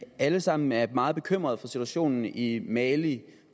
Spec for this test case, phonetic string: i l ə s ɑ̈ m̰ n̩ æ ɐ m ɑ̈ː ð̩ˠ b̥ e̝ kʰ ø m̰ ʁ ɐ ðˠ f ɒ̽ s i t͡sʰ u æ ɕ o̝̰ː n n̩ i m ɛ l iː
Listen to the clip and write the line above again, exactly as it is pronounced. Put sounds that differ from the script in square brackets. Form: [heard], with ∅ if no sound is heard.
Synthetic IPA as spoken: [æ] l ə s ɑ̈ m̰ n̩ æ ɐ m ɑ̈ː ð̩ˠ b̥ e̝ kʰ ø m̰ ʁ ɐ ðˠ f ɒ̽ s i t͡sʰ u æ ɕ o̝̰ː n n̩ i m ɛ l [i]